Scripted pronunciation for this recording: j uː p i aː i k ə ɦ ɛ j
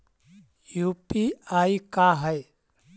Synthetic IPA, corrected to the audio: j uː p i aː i k a ɦ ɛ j